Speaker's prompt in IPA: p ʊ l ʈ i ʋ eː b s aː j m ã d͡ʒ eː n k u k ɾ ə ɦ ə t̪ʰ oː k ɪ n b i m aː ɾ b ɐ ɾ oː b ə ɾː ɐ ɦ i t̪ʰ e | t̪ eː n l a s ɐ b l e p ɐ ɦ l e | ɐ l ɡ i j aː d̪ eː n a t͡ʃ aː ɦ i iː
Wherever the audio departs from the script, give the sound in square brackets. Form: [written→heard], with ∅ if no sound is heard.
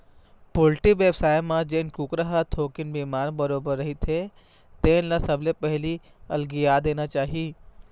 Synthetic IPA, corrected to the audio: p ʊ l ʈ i ʋ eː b s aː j m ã d͡ʒ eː n k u k ɾ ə ɦ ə t̪ʰ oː k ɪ n b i m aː ɾ b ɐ ɾ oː b ə ɾː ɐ ɦ i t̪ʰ e | t̪ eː n l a s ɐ b l e p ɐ ɦ l [e→i] | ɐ l ɡ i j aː d̪ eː n a t͡ʃ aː ɦ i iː